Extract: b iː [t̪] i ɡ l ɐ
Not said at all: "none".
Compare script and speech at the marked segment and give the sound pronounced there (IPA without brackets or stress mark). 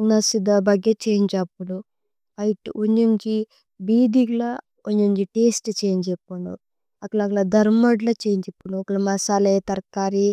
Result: d̪